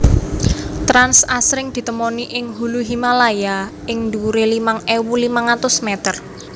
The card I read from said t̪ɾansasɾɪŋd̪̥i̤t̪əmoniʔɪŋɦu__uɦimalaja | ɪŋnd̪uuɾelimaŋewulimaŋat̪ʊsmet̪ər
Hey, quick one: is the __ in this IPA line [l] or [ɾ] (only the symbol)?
l